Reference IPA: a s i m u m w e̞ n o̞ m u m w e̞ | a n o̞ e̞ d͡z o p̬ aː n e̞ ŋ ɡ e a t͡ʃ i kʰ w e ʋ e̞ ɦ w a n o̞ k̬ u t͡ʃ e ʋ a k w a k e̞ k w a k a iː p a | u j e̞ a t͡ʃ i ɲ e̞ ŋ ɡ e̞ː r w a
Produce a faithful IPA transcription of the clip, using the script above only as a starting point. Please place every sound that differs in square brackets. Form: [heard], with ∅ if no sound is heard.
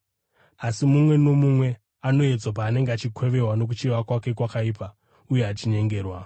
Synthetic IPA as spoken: a s i m u m w e̞ n o̞ m u m w e̞ | a n o̞ e̞ d͡z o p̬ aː n e̞ ŋ ɡ e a t͡ʃ i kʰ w e ʋ e̞ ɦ w a n o̞ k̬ u t͡ʃ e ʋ a k w a k e̞ k w a k a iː p a | u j e̞ a t͡ʃ i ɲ e̞ ŋ ɡ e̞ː r w a

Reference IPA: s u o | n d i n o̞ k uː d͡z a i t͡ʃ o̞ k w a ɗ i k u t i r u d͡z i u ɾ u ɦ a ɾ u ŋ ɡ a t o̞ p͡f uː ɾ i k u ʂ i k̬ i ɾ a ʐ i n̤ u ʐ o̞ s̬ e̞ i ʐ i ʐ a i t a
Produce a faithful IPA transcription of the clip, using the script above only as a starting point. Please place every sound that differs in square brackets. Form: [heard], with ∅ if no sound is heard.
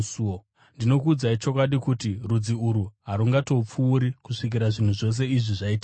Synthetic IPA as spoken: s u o | n d i n o̞ k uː d͡z a i t͡ʃ o̞ k w a ɗ i k u t i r u d͡z i u ɾ u ɦ a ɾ u ŋ ɡ a t o̞ p͡f uː ɾ i k u ʂ i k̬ i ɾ a ʐ i n̤ u ʐ o̞ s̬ e̞ i ʐ i ʐ a i t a

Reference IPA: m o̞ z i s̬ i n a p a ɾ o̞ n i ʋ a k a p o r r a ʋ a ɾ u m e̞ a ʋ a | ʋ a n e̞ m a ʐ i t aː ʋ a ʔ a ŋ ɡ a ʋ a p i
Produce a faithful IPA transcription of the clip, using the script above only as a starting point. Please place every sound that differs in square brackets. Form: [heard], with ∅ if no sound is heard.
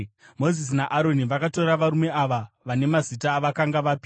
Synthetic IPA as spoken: m o̞ z i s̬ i n a [ʔ] a ɾ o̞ n i ʋ a k a [t] o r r a ʋ a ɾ u m e̞ a ʋ a | ʋ a n e̞ m a [z] i t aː ʋ a [k] a ŋ ɡ a ʋ a p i

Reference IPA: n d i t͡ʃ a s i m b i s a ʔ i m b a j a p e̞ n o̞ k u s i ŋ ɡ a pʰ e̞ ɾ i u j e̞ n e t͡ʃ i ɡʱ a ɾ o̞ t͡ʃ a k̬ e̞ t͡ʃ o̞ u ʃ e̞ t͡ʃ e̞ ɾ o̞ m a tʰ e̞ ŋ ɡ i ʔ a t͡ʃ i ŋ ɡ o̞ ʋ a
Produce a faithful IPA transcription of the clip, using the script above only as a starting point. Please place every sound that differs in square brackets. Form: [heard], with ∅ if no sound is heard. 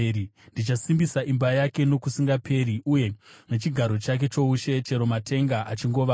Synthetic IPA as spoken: n d i t͡ʃ a s i m b i s a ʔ i m b a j a [k] e̞ n o̞ k u s i ŋ ɡ a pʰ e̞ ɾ i u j e̞ n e t͡ʃ i ɡʱ a ɾ o̞ t͡ʃ a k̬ e̞ t͡ʃ o̞ u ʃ e̞ t͡ʃ e̞ ɾ o̞ m a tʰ e̞ ŋ ɡ [a] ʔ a t͡ʃ i ŋ ɡ o̞ ʋ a

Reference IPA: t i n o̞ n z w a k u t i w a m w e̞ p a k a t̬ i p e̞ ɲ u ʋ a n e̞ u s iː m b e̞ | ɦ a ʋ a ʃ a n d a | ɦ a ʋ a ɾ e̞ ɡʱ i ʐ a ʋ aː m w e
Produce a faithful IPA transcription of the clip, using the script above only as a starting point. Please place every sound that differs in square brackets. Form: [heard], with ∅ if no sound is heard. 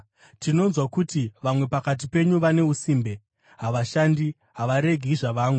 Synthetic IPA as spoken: t i n o̞ n z w a k u t i [ʋ] a m w e̞ p a k a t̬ i p e̞ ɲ u ʋ a n e̞ u s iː m b e̞ | ɦ a ʋ a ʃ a n d [i] | ɦ a ʋ a ɾ e̞ ɡʱ i ʐ a ʋ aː m w e

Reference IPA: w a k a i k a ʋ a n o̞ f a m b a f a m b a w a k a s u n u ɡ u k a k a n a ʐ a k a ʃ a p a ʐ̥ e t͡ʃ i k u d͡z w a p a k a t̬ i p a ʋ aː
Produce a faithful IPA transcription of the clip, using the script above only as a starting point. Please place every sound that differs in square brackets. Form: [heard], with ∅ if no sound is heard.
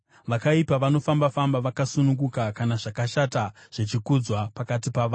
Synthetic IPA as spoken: [ʋ] a k a i [p] a ʋ a n o̞ f a m b a f a m b a [ʋ] a k a s u n u ɡ u k a k a n a ʐ a k a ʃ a [t] a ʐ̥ e t͡ʃ i k u d͡z w a p a k a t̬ i p a ʋ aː

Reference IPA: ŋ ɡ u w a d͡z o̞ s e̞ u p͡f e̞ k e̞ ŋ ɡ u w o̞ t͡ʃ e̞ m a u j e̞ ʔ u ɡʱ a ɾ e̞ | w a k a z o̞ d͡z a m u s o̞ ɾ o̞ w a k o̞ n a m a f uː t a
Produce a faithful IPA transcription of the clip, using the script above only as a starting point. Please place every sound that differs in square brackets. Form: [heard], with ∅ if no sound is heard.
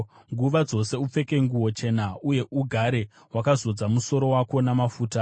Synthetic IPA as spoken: ŋ ɡ u [ʋ] a d͡z o̞ s e̞ u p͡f e̞ k e̞ ŋ ɡ u w o̞ t͡ʃ e̞ [n] a u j e̞ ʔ u ɡʱ a ɾ e̞ | w a k a z o̞ d͡z a m u s o̞ ɾ o̞ w a k o̞ n a m a f uː t a

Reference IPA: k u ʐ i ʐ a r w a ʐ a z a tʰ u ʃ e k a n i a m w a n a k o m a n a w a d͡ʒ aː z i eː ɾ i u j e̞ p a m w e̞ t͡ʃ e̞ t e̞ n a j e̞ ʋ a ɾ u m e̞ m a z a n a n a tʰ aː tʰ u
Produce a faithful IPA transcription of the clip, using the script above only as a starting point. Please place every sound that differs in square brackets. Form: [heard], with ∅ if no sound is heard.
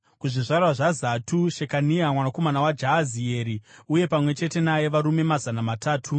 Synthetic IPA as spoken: k u ʐ i ʐ a r w a ʐ a z a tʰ u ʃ e k a n i a m w a n a k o m a n a w a d͡ʒ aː z i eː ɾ i u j e̞ p a m w e̞ t͡ʃ e̞ t e̞ n a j e̞ ʋ a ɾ u m e̞ m a z a n a [m] a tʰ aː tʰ u

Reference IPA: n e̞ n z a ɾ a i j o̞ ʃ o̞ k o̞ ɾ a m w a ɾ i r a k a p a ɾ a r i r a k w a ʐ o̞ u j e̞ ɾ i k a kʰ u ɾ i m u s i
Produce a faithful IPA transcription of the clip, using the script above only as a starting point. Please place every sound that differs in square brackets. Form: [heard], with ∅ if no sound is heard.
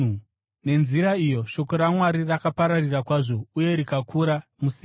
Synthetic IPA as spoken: n e̞ n z [i] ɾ a i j o̞ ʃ o̞ k o̞ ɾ a m w a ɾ i r a k a p a ɾ a r i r a k w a ʐ o̞ u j e̞ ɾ i k a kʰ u ɾ [a] m u s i

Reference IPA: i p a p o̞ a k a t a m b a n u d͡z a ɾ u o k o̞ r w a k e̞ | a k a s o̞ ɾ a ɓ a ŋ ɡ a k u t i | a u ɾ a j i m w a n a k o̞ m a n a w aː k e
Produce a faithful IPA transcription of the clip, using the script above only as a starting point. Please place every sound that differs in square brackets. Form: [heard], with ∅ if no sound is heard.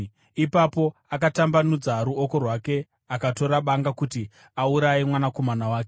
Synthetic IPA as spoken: i p a p o̞ a k a t a m b a n u d͡z a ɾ u o k o̞ r w a k e̞ | a k a [t] o̞ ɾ a ɓ a ŋ ɡ a k u t i | a u ɾ a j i m w a n a k o̞ m a n a w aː k e

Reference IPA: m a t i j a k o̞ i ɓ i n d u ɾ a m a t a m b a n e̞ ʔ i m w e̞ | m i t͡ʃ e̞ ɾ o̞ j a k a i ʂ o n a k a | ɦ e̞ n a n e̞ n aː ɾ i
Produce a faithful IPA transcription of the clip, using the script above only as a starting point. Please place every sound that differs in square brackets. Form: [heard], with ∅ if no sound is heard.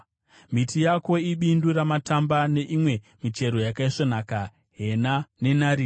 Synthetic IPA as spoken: m [i] t i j a k o̞ i ɓ i n d u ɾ a m a t a m b a n e̞ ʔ i m w e̞ | m i t͡ʃ e̞ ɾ o̞ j a k a i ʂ o n a k a | ɦ e̞ n a n e̞ n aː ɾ i

